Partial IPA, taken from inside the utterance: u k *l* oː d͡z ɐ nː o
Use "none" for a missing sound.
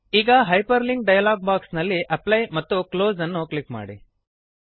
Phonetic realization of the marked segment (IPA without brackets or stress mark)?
l